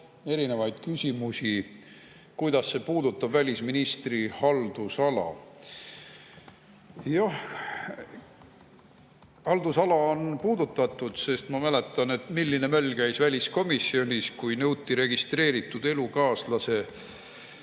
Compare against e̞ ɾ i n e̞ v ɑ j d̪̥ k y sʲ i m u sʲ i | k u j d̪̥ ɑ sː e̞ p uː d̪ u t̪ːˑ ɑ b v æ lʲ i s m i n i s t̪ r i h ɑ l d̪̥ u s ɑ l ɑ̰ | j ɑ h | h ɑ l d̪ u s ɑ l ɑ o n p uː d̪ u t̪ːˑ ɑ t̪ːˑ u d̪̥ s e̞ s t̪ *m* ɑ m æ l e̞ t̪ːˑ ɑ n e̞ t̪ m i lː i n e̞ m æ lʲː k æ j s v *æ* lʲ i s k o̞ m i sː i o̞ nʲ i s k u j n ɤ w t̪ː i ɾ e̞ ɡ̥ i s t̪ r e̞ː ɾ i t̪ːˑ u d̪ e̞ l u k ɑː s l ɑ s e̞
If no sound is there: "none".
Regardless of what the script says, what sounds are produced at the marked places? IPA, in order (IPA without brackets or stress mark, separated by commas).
m, æ